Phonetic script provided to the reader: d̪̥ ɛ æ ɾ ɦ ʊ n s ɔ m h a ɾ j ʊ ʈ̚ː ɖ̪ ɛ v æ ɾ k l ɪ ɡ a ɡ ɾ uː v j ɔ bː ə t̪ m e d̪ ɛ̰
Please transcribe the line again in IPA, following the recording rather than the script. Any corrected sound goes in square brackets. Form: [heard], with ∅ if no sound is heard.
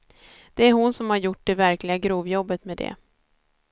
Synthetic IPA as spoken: d̪̥ ɛ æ ɾ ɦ ʊ n s ɔ m h a ɾ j ʊ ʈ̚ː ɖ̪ ɛ v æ ɾ k l ɪ ɡ a ɡ ɾ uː v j ɔ bː ə t̪ m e d̪ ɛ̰